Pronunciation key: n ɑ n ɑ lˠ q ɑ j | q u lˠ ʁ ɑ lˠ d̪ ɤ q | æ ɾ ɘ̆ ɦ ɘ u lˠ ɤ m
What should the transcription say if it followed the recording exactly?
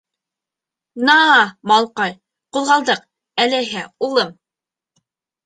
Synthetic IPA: n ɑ m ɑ lˠ q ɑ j | q u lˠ ʁ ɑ lˠ d̪ ɤ q | æ l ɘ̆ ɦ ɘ u lˠ ɤ m